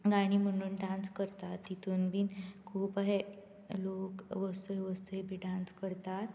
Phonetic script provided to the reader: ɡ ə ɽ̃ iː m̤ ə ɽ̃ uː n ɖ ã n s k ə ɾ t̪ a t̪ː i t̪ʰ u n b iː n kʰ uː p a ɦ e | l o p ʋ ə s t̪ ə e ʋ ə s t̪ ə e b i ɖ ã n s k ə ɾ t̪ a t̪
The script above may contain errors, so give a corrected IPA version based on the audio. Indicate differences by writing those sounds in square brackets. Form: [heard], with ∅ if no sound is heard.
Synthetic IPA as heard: ɡ [a] ɽ̃ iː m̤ ə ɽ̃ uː n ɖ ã n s k ə ɾ t̪ a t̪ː i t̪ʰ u n b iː n kʰ uː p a ɦ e | l o [k] ʋ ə s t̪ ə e ʋ ə s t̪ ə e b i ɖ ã n s k ə ɾ t̪ a t̪